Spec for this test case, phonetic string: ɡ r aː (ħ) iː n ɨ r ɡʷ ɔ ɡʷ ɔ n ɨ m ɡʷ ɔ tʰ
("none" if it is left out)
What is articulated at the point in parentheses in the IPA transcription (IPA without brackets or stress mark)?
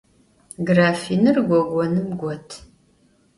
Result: f